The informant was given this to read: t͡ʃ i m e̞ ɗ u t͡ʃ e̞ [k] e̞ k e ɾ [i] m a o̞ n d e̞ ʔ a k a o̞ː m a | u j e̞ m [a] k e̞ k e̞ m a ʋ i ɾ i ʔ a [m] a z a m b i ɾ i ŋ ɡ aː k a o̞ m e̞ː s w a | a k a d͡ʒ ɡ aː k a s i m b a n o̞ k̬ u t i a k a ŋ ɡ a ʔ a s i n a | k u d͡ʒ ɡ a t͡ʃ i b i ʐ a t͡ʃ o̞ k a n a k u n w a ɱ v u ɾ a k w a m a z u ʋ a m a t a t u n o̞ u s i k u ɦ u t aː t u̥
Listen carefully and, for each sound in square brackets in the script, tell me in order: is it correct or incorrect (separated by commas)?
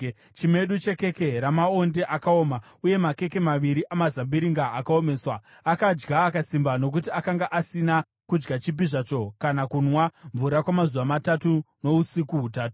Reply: correct, incorrect, correct, correct